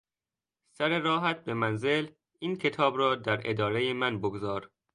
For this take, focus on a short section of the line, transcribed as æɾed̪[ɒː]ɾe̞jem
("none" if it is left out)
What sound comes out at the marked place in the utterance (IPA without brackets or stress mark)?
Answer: ɒː